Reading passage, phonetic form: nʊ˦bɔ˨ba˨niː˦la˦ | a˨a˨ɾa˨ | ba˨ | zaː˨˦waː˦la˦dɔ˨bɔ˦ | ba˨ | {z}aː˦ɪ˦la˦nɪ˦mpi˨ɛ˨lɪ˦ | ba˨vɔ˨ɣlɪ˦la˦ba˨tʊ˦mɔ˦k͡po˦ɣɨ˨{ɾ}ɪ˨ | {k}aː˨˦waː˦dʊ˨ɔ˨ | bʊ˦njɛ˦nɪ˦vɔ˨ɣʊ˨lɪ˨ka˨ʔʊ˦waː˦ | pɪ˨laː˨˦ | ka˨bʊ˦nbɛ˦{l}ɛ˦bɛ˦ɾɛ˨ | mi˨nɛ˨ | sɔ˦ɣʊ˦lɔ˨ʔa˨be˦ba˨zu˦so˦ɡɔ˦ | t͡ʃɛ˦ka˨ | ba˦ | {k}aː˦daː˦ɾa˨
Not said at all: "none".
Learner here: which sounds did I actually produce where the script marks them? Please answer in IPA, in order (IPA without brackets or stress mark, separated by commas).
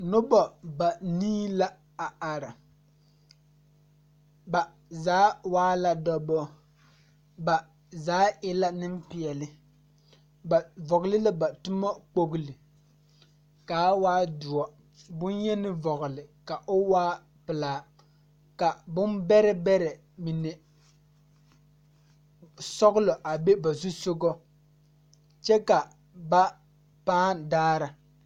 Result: z, l, k, ɾ, p